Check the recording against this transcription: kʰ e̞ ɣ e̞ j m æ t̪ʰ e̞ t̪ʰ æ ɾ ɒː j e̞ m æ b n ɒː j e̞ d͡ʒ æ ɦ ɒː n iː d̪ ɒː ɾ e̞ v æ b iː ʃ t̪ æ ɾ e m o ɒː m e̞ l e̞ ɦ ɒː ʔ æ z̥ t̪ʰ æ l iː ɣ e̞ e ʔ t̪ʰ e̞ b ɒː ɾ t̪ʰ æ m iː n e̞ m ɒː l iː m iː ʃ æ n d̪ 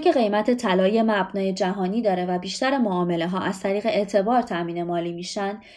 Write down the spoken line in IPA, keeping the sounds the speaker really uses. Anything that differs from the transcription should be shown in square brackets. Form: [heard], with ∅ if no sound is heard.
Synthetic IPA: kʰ e̞ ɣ e̞ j m æ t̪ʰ e̞ t̪ʰ æ [l] ɒː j e̞ m æ b n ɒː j e̞ d͡ʒ æ ɦ ɒː n iː d̪ ɒː ɾ e̞ v æ b iː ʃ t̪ æ ɾ e m o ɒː m e̞ l e̞ ɦ ɒː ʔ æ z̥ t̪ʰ æ [ɾ] iː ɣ e̞ e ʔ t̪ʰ e̞ b ɒː ɾ t̪ʰ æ m iː n e̞ m ɒː l iː m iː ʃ æ n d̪